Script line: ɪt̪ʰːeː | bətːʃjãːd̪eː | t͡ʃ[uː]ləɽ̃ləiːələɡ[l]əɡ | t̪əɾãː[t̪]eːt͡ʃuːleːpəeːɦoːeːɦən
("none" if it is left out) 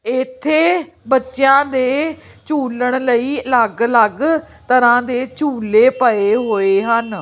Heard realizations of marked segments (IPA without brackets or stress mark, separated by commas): uː, l, d̪